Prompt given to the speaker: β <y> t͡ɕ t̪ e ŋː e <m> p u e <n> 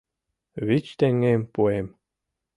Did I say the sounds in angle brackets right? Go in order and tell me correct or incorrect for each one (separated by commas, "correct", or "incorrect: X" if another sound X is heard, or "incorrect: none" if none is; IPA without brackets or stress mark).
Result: incorrect: i, correct, incorrect: m